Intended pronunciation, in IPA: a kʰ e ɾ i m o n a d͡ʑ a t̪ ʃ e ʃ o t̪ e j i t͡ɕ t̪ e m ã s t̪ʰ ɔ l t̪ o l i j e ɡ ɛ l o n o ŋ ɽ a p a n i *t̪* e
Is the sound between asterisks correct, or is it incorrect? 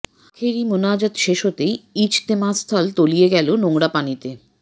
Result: correct